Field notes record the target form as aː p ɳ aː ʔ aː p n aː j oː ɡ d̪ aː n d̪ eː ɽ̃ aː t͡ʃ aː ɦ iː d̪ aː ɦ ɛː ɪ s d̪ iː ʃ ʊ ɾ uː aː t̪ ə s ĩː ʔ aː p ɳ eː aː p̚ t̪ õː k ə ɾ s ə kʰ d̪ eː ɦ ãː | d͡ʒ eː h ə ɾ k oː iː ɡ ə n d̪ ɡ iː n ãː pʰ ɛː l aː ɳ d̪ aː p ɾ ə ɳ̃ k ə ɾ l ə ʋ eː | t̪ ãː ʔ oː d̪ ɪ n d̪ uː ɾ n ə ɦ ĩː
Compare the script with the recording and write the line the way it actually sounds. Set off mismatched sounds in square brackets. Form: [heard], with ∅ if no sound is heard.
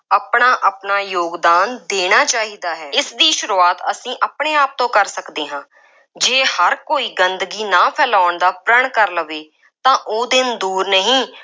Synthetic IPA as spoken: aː p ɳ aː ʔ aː p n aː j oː ɡ d̪ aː n d̪ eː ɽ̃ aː t͡ʃ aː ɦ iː d̪ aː ɦ ɛː ɪ s d̪ iː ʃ ʊ ɾ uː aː t̪ ə s ĩː ʔ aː p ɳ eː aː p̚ t̪ õː k ə ɾ s ə [k] d̪ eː ɦ ãː | d͡ʒ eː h ə ɾ k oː iː ɡ ə n d̪ ɡ iː n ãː pʰ ɛː l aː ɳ d̪ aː p ɾ ə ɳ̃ k ə ɾ l ə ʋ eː | t̪ ãː ʔ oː d̪ ɪ n d̪ uː ɾ n ə ɦ ĩː